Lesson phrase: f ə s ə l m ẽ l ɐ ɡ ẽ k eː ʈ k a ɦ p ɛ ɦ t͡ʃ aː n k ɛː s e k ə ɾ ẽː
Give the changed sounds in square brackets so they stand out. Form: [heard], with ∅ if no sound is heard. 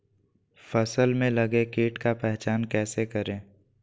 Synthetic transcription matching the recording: f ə s ə l m ẽ l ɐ ɡ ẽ k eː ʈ k a [∅] p ɛ ɦ t͡ʃ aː n k ɛː s e k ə ɾ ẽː